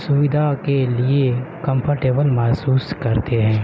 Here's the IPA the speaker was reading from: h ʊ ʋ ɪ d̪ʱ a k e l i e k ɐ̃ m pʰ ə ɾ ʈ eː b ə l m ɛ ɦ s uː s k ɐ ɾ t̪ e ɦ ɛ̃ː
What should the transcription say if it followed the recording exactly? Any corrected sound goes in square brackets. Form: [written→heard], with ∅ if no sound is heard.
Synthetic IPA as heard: [h→s] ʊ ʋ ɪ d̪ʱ a k e l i e k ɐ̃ m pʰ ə ɾ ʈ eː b ə l m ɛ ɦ s uː s k ɐ ɾ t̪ e ɦ ɛ̃ː